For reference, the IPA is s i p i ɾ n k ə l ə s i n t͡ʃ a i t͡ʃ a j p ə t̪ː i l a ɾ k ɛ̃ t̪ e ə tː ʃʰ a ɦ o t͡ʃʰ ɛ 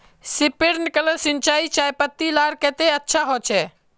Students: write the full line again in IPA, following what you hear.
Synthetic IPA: s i p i ɾ n k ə l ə s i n t͡ʃ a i t͡ʃ a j p ə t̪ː i l a ɾ k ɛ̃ t̪ e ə tː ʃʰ a ɦ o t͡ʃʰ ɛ